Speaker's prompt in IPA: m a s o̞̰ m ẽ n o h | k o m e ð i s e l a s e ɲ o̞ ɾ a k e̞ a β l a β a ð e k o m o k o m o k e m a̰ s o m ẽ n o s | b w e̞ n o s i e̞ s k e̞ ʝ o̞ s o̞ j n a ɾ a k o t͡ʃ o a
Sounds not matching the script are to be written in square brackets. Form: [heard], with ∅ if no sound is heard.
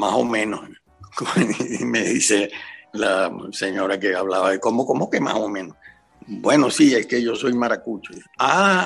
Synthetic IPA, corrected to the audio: m a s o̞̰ m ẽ n o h | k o m e ð i s e l a s e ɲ o̞ ɾ a k e̞ a β l a β a ð e k o m o k o m o k e m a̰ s o m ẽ n o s | b w e̞ n o s i e̞ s k e̞ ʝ o̞ s o̞ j [m] a ɾ a k [u] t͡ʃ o a